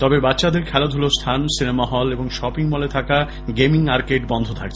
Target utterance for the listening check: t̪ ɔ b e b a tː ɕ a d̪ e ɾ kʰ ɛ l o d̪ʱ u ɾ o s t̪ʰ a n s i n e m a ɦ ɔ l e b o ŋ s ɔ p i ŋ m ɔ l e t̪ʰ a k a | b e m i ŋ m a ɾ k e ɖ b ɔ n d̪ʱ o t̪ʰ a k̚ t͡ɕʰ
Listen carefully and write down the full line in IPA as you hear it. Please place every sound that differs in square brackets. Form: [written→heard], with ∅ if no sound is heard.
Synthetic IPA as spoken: t̪ ɔ b e b a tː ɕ a d̪ e ɾ kʰ ɛ l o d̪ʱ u [ɾ→l] o s t̪ʰ a n s i n e m a ɦ ɔ l e b o ŋ [s→ʃ] ɔ p i ŋ m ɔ l e t̪ʰ a k a | [b→ɡ] e m i ŋ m a ɾ k e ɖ b ɔ n d̪ʱ o t̪ʰ a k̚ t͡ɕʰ